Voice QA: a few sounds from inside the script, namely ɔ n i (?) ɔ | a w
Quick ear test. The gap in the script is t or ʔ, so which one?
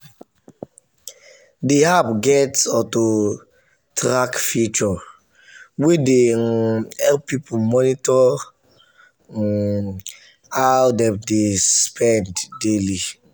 t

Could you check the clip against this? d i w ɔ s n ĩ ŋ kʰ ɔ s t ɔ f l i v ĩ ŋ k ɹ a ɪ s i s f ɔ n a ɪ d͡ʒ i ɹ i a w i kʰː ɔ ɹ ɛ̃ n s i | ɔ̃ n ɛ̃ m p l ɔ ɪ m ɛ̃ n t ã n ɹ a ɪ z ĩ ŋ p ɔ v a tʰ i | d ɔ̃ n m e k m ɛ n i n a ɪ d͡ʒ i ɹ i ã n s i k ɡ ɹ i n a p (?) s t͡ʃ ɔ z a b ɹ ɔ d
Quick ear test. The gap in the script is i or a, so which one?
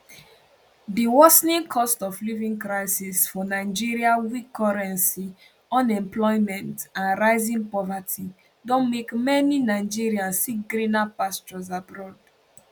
a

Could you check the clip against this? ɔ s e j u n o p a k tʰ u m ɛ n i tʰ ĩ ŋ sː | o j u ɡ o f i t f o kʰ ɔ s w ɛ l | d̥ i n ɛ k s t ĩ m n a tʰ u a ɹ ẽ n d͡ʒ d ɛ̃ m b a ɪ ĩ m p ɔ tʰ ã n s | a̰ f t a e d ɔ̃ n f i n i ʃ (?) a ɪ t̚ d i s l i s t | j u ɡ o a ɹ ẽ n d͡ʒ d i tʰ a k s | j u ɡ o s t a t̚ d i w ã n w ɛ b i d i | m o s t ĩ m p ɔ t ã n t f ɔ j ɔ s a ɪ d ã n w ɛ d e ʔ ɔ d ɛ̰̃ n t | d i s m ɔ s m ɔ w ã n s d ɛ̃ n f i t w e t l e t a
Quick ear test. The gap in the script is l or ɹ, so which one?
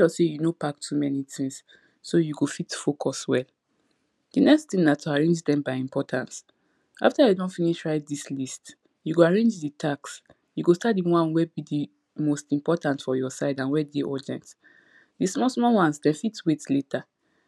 ɹ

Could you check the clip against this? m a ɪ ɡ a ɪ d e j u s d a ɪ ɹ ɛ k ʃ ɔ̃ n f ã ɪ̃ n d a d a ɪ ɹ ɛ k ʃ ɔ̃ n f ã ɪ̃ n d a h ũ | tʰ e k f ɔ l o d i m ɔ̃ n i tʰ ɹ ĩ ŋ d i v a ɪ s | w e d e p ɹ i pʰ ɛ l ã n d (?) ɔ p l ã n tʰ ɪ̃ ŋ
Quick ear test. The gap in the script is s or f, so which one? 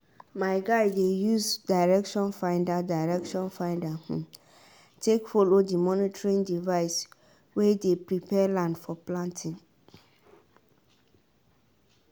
f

